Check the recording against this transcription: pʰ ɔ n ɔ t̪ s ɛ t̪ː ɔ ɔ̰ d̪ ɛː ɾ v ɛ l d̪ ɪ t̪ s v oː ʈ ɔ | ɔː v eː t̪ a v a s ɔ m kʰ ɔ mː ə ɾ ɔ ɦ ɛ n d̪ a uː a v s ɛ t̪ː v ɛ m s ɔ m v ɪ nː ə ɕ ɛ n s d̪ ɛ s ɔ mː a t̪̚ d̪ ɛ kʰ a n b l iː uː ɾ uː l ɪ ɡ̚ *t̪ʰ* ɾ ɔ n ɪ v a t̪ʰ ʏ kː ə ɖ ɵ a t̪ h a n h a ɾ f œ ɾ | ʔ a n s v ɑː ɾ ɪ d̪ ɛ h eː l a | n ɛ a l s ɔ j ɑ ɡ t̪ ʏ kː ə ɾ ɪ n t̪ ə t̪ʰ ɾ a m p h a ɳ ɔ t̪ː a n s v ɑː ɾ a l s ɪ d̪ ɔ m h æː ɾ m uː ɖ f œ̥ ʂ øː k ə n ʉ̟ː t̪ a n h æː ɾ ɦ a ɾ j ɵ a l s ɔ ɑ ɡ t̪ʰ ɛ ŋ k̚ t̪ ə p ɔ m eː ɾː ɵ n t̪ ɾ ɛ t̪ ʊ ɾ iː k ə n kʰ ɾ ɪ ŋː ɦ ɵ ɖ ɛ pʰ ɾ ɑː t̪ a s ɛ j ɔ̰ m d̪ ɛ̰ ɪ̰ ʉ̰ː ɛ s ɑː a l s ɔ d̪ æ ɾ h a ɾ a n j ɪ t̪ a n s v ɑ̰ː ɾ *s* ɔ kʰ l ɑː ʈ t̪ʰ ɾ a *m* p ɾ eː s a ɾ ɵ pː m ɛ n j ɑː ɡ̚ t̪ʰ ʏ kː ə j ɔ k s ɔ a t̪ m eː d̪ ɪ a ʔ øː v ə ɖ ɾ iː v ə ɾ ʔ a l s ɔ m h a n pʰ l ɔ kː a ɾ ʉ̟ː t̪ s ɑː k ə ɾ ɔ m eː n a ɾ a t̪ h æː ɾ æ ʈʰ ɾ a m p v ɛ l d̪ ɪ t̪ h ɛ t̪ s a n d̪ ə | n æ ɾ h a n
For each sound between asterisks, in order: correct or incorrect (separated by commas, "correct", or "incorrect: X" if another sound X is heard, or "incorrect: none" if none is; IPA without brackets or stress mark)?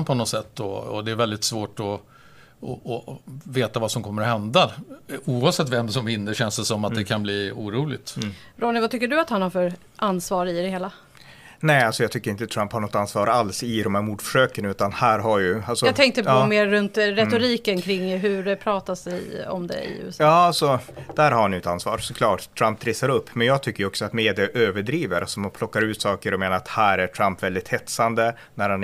incorrect: t̪, correct, correct